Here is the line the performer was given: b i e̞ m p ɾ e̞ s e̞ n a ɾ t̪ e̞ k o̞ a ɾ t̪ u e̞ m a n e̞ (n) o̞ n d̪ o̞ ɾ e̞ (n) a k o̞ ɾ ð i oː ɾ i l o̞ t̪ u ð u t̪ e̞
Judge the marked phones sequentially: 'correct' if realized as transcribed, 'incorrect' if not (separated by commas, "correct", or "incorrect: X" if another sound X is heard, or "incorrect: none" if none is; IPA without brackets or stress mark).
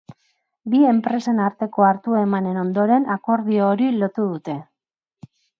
correct, correct